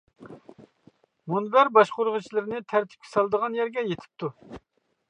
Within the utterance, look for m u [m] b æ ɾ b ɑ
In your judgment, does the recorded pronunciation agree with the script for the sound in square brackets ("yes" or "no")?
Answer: no